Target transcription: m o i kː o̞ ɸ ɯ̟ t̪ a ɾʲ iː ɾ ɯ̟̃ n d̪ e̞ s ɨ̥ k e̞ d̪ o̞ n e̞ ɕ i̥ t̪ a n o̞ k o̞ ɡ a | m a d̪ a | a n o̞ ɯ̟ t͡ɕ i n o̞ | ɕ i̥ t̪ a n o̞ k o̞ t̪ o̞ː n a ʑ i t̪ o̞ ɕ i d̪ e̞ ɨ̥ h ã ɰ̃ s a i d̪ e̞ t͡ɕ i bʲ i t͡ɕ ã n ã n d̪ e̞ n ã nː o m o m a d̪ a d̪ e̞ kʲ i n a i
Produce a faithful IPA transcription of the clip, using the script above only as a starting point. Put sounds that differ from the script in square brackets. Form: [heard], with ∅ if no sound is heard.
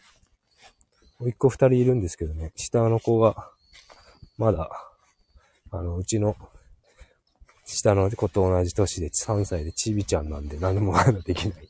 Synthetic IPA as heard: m o i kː o̞ ɸ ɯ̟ t̪ a ɾʲ iː ɾ ɯ̟̃ n d̪ e̞ s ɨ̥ k e̞ d̪ o̞ n e̞ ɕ i̥ t̪ a n o̞ k o̞ ɡ a | m a d̪ a | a n o̞ ɯ̟ t͡ɕ i n o̞ | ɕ i̥ t̪ a n o̞ k o̞ t̪ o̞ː n a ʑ i t̪ o̞ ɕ i d̪ e̞ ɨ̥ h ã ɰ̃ s a i d̪ e̞ t͡ɕ i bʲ i t͡ɕ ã [nː] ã n d̪ e̞ n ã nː o m o m a d̪ a d̪ e̞ kʲ i n a i